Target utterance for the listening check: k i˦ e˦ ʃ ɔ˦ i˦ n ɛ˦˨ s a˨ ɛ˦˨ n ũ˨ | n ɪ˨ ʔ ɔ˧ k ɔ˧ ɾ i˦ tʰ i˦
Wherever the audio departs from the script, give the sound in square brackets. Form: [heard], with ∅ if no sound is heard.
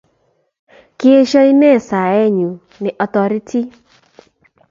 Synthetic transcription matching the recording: k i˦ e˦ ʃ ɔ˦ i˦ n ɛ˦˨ s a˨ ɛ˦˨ [ɲ] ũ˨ | n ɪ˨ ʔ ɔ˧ [t] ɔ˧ ɾ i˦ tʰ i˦